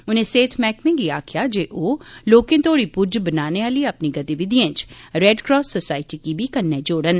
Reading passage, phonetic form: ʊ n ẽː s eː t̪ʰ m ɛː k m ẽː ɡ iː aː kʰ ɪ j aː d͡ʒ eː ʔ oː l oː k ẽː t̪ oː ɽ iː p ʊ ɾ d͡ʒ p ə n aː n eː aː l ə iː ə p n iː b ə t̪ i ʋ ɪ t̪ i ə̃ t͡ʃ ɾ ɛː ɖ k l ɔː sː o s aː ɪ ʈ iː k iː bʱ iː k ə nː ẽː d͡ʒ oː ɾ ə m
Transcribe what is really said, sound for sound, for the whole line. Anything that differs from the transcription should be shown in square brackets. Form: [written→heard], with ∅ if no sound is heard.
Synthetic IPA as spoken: ʊ n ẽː s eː t̪ʰ m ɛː k m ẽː ɡ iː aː kʰ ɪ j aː d͡ʒ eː ʔ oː l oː k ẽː t̪ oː ɽ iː p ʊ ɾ d͡ʒ [p→b] ə n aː n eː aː l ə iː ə p n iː [b→ɡ] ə t̪ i ʋ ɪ [t̪→d̪] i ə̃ t͡ʃ ɾ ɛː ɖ k [l→ɾ] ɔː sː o s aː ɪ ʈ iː k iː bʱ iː k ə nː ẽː d͡ʒ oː [ɾ→ɽ] ə [m→n]